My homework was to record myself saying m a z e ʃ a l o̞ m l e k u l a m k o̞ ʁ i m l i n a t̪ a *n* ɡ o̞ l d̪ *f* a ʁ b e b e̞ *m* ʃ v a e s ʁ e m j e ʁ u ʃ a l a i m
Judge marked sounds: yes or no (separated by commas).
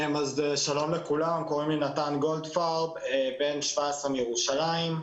yes, yes, no